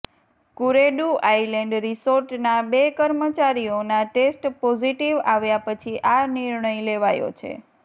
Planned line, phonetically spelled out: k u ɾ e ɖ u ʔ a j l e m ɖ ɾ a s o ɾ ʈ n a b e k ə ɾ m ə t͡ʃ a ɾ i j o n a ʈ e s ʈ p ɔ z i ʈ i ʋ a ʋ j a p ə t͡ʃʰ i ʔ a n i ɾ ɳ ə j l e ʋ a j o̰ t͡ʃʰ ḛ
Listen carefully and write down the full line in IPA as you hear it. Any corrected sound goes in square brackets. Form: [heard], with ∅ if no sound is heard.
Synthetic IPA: k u ɾ e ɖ u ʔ a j l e [ɳ] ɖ ɾ [i] s o ɾ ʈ n a b e k ə ɾ m ə t͡ʃ a ɾ i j o n a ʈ e s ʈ p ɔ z i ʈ i ʋ a ʋ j a p ə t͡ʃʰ i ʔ a n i ɾ ɳ ə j l e ʋ a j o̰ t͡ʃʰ ḛ